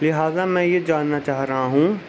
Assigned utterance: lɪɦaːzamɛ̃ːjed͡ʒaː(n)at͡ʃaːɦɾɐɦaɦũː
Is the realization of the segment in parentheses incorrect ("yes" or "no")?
yes